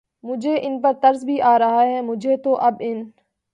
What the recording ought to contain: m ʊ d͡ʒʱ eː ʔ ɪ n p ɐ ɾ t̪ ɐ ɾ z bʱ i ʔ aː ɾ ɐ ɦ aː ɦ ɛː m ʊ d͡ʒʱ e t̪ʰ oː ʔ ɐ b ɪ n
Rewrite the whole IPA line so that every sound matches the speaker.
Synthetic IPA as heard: m ʊ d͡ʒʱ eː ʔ ɪ n p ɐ ɾ t̪ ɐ ɾ z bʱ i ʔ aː ɾ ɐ ɦ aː ɦ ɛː m ʊ d͡ʒʱ e t̪ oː ʔ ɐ b ɪ n